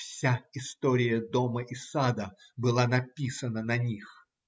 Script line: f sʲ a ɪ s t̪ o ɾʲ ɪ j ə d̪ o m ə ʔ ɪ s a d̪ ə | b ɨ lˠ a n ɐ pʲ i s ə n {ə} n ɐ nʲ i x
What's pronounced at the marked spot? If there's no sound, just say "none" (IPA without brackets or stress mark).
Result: ə